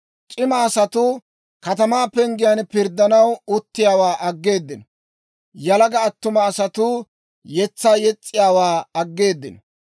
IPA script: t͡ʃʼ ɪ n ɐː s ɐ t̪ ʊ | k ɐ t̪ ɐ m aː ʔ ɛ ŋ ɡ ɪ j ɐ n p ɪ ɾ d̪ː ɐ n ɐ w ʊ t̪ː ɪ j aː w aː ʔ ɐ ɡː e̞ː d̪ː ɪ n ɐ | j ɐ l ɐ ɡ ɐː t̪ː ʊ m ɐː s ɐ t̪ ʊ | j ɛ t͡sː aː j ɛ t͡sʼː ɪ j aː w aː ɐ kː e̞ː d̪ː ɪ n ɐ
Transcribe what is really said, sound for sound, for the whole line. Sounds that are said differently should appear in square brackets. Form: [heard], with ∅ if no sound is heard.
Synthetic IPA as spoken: t͡ʃʼ ɪ [m] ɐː s ɐ t̪ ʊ | k ɐ t̪ ɐ m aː [p] ɛ ŋ ɡ ɪ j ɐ n p ɪ ɾ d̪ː ɐ n ɐ w ʊ t̪ː ɪ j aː w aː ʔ ɐ ɡː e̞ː d̪ː ɪ n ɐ | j ɐ l ɐ ɡ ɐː t̪ː ʊ m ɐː s ɐ t̪ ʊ | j ɛ t͡sː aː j ɛ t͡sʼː ɪ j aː w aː ɐ [ɡː] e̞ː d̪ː ɪ n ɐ